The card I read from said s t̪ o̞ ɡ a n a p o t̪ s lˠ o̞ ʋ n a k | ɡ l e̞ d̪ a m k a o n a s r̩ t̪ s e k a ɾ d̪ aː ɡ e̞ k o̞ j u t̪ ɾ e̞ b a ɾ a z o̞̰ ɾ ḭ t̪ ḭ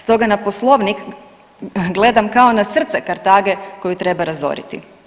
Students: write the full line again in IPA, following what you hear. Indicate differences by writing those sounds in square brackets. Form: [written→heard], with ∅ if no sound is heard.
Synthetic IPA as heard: s t̪ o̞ ɡ a n a p o [t̪→∅] s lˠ o̞ ʋ n [a→i] k | ɡ l e̞ d̪ a m k a o n a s r̩ t̪ s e k a ɾ [d̪→t̪] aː ɡ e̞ k o̞ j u t̪ ɾ e̞ b a ɾ a z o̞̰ ɾ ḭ t̪ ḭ